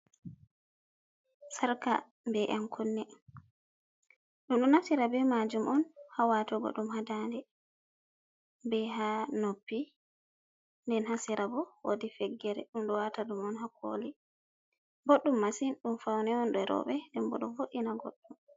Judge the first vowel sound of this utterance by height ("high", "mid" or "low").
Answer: low